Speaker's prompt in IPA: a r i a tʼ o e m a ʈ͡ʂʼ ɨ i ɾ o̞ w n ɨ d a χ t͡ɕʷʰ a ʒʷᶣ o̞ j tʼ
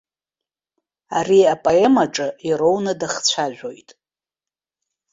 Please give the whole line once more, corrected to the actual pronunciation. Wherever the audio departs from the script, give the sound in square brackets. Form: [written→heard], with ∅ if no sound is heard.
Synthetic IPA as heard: a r i a [tʼ→pʼ] o e m a ʈ͡ʂʼ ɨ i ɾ o̞ w n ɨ d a χ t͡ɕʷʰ a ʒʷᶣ o̞ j tʼ

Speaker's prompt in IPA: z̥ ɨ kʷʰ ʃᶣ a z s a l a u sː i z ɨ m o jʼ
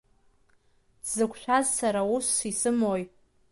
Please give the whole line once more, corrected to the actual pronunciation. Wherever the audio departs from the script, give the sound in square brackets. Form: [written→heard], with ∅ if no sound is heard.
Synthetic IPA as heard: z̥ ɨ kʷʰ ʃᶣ a z s a [l→ɾ] a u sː i [z→s] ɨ m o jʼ

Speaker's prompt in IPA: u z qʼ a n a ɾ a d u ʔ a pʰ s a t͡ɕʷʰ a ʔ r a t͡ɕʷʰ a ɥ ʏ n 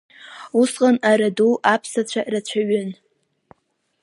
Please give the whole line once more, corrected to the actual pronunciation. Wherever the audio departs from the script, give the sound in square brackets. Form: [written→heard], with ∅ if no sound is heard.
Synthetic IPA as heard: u [z→s] qʼ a n a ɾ a d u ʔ a pʰ s a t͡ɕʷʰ a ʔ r a t͡ɕʷʰ a ɥ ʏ n

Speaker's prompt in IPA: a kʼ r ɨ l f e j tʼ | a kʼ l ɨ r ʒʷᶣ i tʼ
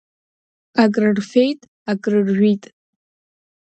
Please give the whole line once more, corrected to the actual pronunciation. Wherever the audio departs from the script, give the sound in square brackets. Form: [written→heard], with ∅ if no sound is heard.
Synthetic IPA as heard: a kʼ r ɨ [l→r] f e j tʼ | a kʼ [l→r] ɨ r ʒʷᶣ i tʼ

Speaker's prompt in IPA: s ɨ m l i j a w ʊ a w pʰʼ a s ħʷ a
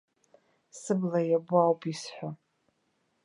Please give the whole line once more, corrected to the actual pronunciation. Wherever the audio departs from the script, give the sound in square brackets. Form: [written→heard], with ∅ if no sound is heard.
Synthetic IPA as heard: s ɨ [m→b] l [i→a] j a [w→b] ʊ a w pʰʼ [a→i] s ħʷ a

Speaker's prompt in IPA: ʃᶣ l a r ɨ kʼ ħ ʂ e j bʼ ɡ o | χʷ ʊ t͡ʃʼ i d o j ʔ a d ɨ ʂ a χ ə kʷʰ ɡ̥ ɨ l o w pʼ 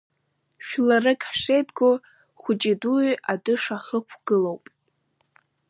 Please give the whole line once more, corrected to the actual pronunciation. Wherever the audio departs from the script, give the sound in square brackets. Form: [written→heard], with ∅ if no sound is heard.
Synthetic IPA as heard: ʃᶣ l a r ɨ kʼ ħ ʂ e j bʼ ɡ o | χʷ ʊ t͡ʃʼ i d [o→u] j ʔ a d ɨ ʂ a χ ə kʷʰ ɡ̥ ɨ l o w pʼ

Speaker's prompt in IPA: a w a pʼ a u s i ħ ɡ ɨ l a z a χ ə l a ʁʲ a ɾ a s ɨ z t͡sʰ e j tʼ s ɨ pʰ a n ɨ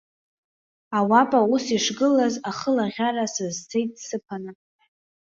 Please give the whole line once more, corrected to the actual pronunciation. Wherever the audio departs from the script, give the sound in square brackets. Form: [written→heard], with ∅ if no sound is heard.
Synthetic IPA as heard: a w a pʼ a u s i [ħ→ʂ] ɡ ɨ l a z a χ ə l a ʁʲ a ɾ a s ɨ z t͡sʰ e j tʼ s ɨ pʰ a n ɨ

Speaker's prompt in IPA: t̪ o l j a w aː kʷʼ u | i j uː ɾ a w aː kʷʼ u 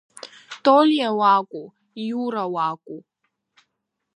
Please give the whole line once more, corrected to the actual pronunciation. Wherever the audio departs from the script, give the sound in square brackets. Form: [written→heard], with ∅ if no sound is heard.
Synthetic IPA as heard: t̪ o l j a w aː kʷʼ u | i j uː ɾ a w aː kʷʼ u

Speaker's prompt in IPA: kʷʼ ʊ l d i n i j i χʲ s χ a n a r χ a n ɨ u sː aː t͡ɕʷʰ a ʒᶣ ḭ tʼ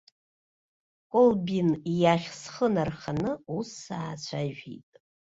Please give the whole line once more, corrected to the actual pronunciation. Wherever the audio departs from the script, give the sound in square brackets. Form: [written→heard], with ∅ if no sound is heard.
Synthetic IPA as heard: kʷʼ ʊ l [d→b] i n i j [i→a] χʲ s χ [a→ə] n a r χ a n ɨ u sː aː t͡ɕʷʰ a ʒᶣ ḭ tʼ

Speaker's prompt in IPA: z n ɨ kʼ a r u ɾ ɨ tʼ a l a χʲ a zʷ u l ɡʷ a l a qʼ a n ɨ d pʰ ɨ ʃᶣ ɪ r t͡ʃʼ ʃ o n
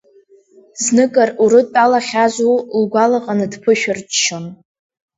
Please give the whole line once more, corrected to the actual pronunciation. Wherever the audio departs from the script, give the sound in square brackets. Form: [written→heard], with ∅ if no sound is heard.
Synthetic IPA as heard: z n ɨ kʼ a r u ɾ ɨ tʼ a l a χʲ a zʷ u l ɡʷ a l a qʼ a n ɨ d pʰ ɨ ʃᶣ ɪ r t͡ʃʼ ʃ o n

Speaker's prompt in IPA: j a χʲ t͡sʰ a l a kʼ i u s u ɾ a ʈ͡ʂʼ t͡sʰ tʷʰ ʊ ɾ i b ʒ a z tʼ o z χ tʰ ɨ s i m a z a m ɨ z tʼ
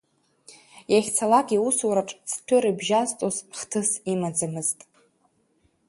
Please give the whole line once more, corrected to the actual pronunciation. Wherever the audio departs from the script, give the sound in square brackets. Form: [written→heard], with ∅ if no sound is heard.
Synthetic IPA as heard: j a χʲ t͡sʰ a l a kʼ i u s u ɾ a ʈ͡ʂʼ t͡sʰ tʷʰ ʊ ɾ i b ʒ a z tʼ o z χ tʰ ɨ s i m a [z→d͡z] a m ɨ z tʼ

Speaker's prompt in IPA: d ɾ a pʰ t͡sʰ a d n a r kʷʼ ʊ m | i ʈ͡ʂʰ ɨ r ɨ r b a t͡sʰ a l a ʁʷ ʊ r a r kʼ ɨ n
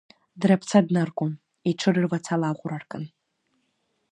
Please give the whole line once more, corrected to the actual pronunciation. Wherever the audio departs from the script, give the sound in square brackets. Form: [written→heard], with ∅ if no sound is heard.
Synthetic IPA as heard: d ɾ a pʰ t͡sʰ a d n a r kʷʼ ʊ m | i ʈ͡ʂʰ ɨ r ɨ r [b→v] a t͡sʰ a l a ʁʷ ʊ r a r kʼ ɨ n

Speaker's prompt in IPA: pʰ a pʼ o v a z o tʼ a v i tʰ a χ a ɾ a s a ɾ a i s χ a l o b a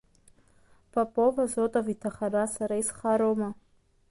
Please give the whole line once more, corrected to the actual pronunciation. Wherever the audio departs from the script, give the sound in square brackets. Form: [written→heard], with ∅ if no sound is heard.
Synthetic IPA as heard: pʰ a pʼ o v a z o tʼ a v i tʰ a χ a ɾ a s a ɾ a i s χ a [l→ɾ] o [b→m] a

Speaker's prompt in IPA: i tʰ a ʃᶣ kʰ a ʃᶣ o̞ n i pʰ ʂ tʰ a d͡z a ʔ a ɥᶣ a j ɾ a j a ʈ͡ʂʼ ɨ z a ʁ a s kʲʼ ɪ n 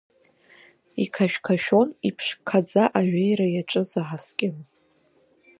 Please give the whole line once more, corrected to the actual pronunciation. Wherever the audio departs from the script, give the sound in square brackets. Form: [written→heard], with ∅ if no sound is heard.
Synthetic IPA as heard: i [tʰ→kʰ] a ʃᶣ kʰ a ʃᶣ o̞ n i pʰ ʂ [tʰ→kʰ] a d͡z a ʔ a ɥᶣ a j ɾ a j a ʈ͡ʂʼ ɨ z a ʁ a s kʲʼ ɪ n

